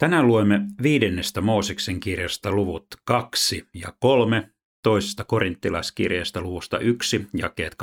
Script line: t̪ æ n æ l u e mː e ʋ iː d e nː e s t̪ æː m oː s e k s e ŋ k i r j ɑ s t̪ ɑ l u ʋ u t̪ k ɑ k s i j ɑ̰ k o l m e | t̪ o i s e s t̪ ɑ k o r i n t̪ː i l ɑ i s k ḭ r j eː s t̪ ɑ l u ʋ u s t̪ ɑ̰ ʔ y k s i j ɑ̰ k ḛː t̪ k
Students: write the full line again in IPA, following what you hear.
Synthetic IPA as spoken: t̪ æ n æ l u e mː e ʋ iː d e nː e s t̪ æ m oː s e k s e ŋ k i r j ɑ s t̪ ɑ l u ʋ u t̪ k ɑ k s i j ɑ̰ k o l m e | t̪ o i s e s t̪ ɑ k o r i n t̪ː i l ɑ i s k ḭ r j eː s t̪ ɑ l u ʋ u s t̪ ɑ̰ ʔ y k s i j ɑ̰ k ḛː t̪ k